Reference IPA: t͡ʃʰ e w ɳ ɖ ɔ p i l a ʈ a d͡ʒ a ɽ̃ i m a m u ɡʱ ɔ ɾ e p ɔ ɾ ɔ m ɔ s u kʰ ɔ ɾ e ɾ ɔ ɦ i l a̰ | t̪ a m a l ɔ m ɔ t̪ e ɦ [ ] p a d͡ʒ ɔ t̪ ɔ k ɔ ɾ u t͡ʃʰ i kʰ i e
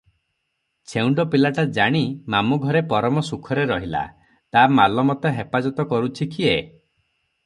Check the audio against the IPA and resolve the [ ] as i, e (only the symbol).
e